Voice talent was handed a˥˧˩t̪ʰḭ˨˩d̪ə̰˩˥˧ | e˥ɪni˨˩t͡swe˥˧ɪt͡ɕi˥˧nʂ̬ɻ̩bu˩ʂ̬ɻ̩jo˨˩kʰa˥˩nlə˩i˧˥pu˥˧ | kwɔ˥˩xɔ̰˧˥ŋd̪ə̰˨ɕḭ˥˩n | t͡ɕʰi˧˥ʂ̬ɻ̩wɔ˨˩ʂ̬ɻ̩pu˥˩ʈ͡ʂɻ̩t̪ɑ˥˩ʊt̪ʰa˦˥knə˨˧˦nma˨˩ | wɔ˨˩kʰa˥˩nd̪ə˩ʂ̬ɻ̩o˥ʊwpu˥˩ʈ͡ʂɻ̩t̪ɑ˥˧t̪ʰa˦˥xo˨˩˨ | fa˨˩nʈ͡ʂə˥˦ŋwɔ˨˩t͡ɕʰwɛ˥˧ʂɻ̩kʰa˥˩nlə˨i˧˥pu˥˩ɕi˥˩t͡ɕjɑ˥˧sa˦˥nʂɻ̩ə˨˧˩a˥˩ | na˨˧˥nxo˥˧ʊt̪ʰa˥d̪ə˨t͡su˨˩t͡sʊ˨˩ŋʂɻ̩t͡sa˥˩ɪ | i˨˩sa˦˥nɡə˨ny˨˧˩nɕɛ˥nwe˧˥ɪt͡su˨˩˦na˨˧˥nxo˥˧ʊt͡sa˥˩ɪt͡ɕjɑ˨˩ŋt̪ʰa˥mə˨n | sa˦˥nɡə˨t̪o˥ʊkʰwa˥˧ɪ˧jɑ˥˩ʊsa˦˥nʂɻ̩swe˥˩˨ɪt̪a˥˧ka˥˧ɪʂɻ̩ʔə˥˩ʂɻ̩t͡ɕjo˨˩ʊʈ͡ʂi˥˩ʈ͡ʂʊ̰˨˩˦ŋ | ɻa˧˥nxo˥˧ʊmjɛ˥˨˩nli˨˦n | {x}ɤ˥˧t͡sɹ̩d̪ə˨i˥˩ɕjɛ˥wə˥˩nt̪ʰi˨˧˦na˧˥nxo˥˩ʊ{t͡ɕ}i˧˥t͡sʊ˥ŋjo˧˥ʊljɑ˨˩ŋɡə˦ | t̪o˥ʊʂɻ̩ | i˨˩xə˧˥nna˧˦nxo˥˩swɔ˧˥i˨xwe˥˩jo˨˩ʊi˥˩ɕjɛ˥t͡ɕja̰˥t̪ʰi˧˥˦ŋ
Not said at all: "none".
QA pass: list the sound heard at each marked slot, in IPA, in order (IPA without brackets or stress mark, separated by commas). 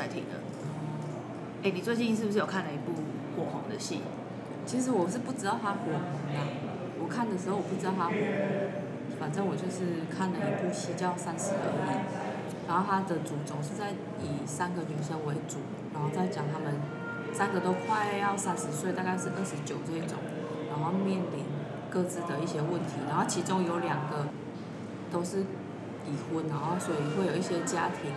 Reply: k, t͡ɕʰ